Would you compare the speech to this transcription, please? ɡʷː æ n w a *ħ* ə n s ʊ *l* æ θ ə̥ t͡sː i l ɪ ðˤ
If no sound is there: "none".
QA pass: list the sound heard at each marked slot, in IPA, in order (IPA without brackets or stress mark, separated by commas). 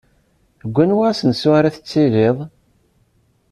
s, ɾ